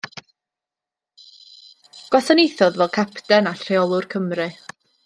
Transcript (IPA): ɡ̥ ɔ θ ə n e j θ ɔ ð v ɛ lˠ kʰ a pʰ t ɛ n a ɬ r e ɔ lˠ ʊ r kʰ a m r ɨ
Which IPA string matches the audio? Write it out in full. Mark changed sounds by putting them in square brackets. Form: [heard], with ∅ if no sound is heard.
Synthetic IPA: ɡ̥ ɔ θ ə n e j θ ɔ ð v ɛ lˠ kʰ a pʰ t ɛ n a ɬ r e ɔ lˠ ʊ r kʰ [ə] m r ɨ